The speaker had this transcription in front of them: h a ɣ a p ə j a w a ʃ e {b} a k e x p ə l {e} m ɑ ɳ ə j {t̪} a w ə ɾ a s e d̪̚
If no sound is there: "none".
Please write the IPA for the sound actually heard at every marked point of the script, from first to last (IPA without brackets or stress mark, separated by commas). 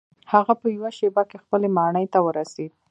b, e, t̪